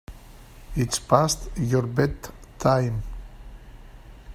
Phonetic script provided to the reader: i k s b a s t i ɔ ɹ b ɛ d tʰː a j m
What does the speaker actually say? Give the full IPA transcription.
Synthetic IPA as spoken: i t s p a s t j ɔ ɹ b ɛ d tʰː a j m